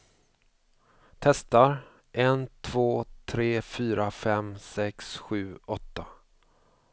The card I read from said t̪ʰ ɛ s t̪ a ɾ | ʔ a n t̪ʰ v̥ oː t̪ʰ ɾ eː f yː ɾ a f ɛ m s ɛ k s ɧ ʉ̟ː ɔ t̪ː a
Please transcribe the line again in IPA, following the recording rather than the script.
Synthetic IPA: t̪ʰ ɛ s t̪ a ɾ | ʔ ɛ n t̪ʰ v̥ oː t̪ʰ ɾ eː f yː ɾ a f ɛ m s ɛ k s ɧ ʉ̟ː ɔ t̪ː a